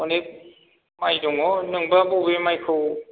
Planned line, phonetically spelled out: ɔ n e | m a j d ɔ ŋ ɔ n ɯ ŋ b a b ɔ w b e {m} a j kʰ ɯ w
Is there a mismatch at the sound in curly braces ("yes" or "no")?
no